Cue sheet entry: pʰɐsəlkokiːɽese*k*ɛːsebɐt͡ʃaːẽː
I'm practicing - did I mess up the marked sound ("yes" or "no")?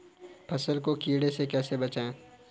no